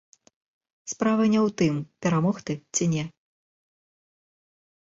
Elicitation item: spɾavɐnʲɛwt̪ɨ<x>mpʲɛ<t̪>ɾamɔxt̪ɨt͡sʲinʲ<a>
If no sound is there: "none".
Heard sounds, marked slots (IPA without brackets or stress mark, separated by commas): none, none, ɛ